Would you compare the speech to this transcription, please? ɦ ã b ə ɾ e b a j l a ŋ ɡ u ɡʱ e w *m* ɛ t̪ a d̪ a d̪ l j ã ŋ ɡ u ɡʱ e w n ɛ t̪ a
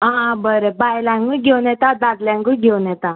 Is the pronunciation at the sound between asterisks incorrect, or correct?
incorrect